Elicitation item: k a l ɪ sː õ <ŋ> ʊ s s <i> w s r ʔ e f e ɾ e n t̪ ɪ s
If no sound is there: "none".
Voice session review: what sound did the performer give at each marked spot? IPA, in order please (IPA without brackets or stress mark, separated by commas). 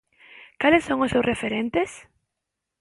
ŋ, e